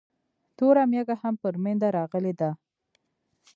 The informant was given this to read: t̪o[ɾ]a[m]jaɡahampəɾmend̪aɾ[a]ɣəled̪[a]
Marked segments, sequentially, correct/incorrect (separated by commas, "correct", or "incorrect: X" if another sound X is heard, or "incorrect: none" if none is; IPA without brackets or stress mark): correct, correct, incorrect: ɑ, correct